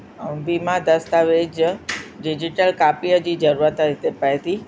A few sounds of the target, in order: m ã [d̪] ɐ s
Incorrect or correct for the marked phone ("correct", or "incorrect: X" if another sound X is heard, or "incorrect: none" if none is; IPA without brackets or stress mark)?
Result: correct